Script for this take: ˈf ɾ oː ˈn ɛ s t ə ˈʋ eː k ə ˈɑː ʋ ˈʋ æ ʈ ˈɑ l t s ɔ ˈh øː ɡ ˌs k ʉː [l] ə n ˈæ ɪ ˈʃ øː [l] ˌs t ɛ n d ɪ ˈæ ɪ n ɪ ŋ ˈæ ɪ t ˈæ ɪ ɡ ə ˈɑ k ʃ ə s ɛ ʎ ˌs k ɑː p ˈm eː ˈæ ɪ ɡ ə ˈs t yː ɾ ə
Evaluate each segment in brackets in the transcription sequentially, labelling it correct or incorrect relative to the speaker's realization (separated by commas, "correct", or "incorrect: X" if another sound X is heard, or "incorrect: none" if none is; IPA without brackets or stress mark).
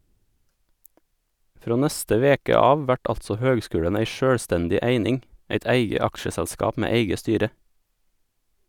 incorrect: ɽ, incorrect: ɽ